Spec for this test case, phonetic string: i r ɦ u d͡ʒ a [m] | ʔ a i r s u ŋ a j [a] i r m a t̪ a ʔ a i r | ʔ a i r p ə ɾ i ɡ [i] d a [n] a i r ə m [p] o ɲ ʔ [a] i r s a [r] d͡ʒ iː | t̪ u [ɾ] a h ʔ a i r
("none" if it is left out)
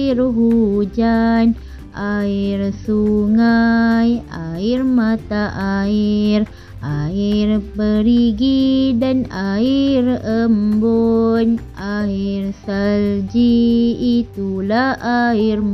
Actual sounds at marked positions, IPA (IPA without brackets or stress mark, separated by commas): n, a, i, n, b, a, l, l